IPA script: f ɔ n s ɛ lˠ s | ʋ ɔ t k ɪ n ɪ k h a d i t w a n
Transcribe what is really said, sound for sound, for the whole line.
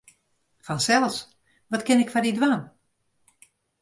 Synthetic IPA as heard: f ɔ n s ɛ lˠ s | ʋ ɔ t k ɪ n ɪ k f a d i d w a n